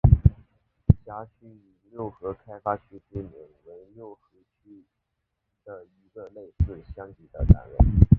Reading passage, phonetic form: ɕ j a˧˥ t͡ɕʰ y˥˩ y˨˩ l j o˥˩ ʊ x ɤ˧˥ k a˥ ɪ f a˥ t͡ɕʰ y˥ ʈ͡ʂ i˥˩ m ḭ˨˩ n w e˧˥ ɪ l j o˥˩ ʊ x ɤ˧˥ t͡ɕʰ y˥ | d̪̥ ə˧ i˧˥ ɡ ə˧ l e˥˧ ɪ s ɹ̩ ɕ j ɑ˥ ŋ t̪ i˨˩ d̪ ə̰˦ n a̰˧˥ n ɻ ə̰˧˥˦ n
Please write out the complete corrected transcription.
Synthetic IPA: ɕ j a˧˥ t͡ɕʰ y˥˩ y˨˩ l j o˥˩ ʊ x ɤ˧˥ kʰ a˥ ɪ f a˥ t͡ɕʰ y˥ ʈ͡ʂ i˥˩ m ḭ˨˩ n w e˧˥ ɪ l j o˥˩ ʊ x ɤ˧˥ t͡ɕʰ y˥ | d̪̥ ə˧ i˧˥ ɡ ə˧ l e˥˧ ɪ s ɹ̩ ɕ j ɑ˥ ŋ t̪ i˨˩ d̪ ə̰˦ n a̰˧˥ n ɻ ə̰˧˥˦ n